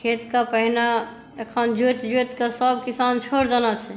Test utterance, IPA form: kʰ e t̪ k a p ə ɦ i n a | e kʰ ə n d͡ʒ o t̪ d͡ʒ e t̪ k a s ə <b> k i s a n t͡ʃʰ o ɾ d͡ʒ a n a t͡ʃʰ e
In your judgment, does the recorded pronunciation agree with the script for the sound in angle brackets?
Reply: yes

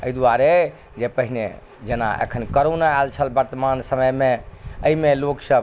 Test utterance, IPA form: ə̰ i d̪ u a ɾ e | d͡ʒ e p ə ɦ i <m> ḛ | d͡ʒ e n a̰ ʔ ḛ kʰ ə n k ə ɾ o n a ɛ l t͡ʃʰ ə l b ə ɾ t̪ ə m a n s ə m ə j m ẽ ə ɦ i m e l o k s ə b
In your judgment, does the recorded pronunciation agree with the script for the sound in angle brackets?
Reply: no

